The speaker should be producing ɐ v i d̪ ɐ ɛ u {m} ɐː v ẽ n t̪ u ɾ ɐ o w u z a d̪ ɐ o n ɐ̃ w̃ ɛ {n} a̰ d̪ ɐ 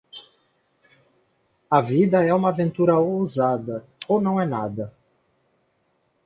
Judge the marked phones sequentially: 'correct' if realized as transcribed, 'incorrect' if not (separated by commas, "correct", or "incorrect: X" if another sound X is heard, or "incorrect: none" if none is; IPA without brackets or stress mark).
correct, correct